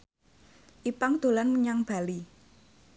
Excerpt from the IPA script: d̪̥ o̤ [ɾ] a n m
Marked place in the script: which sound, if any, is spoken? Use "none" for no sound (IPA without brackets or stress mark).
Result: l